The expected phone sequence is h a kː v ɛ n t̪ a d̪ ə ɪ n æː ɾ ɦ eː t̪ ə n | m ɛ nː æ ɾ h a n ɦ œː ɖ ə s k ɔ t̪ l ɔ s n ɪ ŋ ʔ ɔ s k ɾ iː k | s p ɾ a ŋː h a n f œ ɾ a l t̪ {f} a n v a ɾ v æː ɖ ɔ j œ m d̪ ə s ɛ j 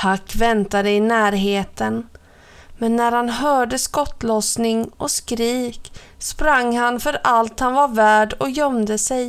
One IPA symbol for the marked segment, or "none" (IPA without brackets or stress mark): h